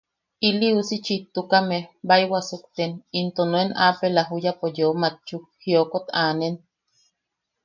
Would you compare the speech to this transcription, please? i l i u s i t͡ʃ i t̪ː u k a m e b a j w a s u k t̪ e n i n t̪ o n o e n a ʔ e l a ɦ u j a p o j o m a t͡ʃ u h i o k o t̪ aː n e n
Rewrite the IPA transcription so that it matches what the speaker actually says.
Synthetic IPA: i l i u s i t͡ʃ i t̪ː u k a m e b a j w a s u k t̪ e n i n t̪ o n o e n a p e l a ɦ u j a p o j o m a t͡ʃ u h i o k o t̪ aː n e n